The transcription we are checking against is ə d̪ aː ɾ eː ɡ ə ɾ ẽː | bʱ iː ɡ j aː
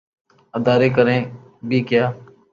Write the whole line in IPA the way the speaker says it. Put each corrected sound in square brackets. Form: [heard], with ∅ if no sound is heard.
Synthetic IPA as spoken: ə d̪ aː ɾ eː [k] ə ɾ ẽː | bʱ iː [k] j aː

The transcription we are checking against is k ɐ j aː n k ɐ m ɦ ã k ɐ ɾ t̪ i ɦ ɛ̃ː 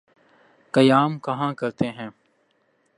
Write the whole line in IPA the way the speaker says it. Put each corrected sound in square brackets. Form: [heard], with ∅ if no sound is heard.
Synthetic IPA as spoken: k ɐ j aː [m] k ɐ [∅] ɦ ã k ɐ ɾ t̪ [e] ɦ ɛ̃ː

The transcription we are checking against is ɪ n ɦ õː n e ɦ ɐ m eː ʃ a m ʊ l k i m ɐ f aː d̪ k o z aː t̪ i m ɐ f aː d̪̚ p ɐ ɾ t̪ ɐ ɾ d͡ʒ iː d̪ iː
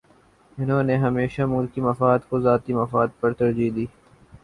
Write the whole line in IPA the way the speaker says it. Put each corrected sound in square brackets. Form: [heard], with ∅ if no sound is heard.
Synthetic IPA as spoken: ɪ n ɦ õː n e ɦ ɐ m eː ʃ a m ʊ l k i m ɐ f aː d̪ k o z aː t̪ i m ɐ f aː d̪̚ p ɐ ɾ t̪ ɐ ɾ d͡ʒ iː d̪ iː

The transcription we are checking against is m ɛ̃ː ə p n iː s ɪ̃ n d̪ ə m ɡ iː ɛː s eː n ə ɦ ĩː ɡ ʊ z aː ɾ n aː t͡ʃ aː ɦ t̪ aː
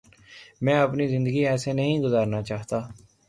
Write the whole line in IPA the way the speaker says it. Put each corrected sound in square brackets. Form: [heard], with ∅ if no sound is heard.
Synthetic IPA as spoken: m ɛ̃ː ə p n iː [z] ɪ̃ n d̪ ə [∅] ɡ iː ɛː s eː n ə ɦ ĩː ɡ ʊ z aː ɾ n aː t͡ʃ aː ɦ t̪ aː

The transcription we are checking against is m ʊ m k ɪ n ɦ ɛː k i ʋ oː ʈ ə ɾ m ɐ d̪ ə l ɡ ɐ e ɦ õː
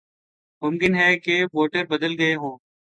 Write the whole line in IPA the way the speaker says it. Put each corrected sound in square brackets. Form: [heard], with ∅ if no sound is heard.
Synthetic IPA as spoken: m ʊ m k ɪ n ɦ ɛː k [e] ʋ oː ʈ ə ɾ [b] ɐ d̪ ə l ɡ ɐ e ɦ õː

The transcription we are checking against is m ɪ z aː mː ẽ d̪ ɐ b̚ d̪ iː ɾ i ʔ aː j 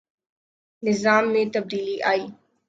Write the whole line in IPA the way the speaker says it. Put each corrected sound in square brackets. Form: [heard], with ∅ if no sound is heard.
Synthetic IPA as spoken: [n] ɪ z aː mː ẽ [t̪] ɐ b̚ d̪ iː [l] i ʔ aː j

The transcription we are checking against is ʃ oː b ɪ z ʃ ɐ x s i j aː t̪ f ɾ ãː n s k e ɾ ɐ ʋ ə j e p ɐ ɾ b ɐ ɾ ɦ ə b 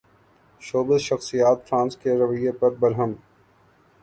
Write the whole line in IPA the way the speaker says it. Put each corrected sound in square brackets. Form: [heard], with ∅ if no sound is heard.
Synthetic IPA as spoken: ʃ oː b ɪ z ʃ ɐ x s i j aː t̪ f ɾ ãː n s k e ɾ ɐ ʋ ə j e p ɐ ɾ b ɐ ɾ ɦ ə [m]

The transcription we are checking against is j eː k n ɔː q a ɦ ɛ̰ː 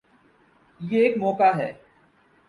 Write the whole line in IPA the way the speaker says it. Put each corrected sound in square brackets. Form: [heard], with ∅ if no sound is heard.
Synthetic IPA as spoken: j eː k [m] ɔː [k] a ɦ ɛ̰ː

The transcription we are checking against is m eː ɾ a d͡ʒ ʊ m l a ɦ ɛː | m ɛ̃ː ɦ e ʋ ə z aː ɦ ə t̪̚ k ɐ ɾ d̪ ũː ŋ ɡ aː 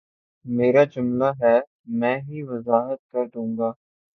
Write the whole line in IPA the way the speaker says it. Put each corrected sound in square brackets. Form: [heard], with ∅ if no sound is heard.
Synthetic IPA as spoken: m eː ɾ a d͡ʒ ʊ m l a ɦ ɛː | m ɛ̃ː ɦ [i] ʋ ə z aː ɦ ə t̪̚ k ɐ ɾ d̪ ũː ŋ ɡ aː

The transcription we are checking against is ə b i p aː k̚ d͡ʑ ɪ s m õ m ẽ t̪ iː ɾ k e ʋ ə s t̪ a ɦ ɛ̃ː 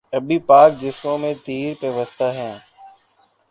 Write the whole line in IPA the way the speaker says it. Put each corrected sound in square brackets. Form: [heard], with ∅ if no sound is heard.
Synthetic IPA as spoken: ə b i p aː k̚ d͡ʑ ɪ s m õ m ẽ t̪ iː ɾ [p] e ʋ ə s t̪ a ɦ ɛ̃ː

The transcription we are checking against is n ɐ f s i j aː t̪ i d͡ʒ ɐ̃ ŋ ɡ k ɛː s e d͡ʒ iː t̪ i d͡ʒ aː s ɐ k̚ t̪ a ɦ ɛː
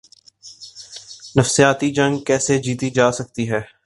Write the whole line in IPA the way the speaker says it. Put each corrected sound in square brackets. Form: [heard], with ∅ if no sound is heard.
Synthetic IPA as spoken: n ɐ f s i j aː t̪ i d͡ʒ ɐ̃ ŋ ɡ k ɛː s e d͡ʒ iː t̪ i d͡ʒ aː s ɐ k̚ t̪ [i] ɦ ɛː

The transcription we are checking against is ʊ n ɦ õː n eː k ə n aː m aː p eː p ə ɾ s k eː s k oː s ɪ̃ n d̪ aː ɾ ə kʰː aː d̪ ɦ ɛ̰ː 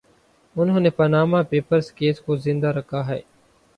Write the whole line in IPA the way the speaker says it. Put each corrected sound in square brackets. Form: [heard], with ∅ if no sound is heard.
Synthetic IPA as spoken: ʊ n ɦ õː n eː [p] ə n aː m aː p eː p ə ɾ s k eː s k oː [z] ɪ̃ n d̪ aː ɾ ə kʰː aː [∅] ɦ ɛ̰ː

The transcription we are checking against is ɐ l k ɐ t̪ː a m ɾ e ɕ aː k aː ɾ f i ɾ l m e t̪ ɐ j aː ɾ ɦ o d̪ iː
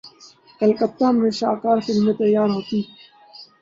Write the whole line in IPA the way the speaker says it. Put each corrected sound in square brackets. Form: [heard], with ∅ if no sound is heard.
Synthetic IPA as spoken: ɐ l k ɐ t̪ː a m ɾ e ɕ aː k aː ɾ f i [∅] l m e t̪ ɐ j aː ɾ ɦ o [t̪] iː

